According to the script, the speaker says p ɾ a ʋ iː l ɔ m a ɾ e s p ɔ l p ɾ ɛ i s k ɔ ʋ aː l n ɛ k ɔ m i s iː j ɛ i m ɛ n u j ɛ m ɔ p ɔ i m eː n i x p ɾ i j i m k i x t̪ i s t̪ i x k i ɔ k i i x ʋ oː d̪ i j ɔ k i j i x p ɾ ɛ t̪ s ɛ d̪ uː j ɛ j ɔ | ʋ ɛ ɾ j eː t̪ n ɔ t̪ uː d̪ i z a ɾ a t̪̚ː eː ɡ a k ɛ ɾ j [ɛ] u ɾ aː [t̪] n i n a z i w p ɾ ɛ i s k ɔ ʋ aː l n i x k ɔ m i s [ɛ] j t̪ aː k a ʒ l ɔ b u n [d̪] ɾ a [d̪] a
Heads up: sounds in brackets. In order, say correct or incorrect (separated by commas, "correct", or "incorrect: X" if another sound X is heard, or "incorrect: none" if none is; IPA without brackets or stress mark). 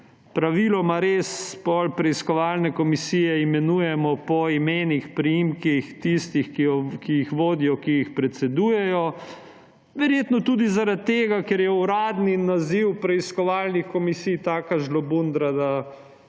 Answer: correct, incorrect: d̪, incorrect: i, correct, correct